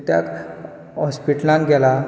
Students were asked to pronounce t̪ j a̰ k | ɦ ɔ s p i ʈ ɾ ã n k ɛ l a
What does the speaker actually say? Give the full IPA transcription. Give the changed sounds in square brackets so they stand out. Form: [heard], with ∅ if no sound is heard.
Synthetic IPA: t̪ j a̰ k | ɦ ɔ s p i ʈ [l] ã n [ɡ] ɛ l a